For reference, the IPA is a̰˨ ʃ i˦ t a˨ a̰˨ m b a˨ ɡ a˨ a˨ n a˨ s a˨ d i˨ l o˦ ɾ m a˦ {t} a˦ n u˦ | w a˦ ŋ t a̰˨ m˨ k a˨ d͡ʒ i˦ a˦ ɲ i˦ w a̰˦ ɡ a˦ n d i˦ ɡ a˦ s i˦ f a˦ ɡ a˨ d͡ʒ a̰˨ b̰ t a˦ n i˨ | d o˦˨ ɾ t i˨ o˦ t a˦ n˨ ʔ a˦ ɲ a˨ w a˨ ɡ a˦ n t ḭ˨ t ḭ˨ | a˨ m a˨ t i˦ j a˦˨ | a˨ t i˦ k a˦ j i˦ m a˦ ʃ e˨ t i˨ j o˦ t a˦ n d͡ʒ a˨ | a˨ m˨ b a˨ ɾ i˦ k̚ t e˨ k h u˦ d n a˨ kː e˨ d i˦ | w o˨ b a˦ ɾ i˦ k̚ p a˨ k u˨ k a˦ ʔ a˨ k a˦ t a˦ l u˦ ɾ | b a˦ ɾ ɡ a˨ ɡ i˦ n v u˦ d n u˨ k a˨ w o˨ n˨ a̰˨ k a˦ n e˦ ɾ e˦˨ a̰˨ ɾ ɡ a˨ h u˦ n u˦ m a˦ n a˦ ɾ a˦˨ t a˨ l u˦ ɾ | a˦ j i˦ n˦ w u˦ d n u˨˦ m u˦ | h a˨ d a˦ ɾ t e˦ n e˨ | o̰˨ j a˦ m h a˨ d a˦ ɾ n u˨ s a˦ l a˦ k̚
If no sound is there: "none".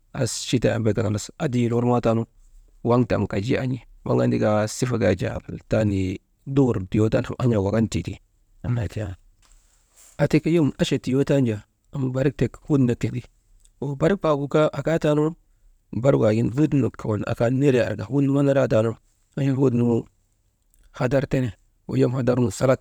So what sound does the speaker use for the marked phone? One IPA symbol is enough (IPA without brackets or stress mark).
t